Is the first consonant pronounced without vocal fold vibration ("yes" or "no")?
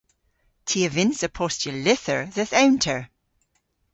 yes